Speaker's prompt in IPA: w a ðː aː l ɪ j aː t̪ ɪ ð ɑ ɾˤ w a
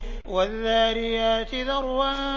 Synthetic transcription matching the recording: w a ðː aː ɾ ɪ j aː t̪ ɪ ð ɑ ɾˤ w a